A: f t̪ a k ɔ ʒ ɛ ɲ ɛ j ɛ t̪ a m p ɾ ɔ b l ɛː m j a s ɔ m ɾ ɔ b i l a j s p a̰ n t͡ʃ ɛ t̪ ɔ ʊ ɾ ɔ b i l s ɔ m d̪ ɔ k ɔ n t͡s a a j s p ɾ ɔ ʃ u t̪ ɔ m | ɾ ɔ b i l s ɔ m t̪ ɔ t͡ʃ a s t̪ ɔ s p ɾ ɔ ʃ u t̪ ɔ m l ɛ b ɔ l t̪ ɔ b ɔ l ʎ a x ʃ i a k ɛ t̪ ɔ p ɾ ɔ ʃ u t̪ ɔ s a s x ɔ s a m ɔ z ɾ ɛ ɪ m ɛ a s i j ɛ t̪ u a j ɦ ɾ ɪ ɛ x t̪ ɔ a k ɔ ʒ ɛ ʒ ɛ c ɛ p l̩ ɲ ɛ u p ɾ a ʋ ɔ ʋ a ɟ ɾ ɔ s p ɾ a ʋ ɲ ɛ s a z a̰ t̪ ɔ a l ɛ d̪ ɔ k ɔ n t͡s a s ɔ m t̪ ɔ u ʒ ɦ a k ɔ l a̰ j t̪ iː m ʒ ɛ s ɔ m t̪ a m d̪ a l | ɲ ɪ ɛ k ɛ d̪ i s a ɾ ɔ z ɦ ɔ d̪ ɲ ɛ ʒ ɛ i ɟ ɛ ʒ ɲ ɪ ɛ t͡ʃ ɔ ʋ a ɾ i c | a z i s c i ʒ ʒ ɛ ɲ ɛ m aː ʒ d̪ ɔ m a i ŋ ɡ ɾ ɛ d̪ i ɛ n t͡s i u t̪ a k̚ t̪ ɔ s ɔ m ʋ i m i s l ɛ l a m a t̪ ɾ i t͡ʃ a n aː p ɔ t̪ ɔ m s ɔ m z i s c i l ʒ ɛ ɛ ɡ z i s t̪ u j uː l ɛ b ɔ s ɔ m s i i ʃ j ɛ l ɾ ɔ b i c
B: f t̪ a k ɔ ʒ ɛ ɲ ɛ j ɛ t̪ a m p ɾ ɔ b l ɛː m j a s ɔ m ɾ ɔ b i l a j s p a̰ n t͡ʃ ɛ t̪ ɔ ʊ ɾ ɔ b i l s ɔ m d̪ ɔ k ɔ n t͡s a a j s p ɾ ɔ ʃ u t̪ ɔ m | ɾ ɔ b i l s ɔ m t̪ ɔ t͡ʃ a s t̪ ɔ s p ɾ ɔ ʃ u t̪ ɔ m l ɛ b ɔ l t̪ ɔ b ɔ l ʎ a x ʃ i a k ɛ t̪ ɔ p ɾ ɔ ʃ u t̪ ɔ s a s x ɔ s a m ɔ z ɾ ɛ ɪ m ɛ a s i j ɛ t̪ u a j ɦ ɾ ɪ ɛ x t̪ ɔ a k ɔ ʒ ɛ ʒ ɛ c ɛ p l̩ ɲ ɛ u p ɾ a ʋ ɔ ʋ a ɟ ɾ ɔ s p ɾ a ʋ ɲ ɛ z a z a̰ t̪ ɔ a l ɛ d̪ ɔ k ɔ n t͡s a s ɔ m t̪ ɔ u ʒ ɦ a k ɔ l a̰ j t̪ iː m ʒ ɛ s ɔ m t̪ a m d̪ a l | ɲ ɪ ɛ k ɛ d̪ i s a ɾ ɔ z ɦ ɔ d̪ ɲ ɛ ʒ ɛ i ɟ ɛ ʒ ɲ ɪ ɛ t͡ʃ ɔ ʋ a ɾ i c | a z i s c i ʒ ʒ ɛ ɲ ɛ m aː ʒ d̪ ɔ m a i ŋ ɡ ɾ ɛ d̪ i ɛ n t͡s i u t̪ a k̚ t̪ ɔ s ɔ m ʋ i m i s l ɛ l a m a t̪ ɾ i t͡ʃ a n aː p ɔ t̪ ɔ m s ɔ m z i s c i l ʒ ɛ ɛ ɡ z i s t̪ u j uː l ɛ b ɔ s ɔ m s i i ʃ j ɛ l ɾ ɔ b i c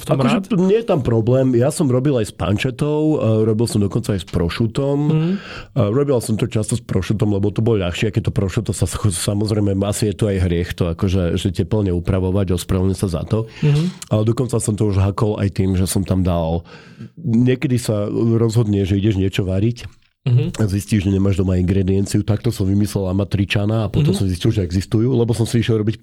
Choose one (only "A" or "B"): A